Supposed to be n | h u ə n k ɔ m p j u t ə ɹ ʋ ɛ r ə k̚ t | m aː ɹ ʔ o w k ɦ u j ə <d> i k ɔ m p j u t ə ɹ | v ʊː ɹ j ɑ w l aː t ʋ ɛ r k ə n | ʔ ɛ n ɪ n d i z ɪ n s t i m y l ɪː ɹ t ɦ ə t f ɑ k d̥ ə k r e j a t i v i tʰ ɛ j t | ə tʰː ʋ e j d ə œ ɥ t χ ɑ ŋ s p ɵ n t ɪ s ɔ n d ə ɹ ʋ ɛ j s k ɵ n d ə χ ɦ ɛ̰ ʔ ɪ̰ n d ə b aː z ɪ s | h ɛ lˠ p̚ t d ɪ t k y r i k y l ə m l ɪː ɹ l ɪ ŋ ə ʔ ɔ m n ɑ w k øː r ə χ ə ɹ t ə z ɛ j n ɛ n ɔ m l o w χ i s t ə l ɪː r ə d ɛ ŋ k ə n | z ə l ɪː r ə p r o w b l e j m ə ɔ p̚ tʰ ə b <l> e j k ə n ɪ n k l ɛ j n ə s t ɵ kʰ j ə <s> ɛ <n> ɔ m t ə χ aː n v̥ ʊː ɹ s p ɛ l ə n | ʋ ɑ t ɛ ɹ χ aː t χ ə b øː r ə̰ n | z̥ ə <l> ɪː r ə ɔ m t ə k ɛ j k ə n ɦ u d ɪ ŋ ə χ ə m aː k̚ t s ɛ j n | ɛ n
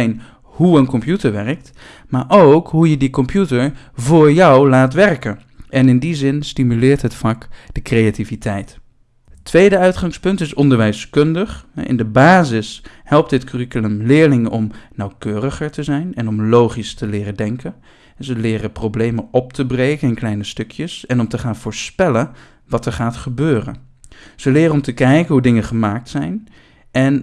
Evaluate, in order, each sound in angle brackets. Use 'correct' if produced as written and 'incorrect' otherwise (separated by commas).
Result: correct, incorrect, correct, correct, correct